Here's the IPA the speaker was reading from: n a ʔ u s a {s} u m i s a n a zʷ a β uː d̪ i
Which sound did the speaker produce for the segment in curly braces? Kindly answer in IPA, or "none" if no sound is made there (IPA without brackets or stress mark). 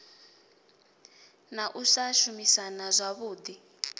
ʃ